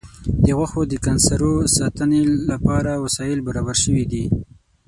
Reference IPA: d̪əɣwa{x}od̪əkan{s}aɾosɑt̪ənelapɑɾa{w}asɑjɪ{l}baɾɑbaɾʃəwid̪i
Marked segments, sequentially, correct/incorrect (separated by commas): correct, correct, correct, correct